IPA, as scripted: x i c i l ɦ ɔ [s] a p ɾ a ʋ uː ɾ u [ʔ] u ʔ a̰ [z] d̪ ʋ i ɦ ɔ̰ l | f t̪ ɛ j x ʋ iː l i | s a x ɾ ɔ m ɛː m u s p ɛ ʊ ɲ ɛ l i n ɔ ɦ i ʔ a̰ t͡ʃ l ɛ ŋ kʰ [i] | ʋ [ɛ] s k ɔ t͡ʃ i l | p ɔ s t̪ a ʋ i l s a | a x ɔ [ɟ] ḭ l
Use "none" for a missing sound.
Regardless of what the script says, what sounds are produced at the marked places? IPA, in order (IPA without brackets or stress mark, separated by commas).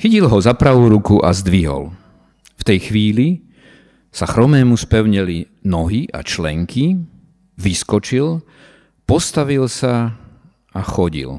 z, k, z, i, i, ɟ